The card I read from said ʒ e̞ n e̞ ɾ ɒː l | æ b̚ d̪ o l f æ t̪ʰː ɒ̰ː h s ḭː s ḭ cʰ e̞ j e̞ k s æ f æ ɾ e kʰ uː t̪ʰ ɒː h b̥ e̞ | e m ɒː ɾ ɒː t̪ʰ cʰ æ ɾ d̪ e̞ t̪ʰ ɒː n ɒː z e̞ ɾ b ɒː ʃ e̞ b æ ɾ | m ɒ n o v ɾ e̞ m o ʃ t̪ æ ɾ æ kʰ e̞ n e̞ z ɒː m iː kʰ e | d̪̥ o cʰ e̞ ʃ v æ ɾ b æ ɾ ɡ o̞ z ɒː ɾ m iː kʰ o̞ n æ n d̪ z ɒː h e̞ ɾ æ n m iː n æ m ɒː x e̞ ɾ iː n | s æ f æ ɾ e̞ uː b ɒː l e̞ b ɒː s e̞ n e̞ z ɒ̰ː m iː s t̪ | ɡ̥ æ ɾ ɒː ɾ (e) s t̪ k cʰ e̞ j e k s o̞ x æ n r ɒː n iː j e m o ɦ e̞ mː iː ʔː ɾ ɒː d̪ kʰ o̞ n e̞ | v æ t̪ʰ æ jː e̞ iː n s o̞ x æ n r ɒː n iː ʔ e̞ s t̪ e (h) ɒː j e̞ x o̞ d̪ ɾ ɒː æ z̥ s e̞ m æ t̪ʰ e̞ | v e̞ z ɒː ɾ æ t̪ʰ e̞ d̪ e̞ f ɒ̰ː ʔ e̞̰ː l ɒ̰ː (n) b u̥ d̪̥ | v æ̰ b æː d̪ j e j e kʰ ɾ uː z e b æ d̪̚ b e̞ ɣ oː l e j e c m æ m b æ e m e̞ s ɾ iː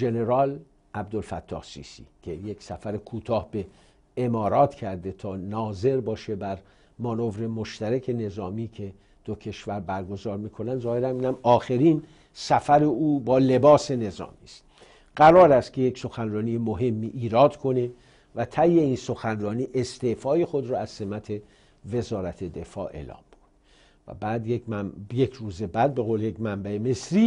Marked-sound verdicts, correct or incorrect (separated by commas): incorrect, incorrect, incorrect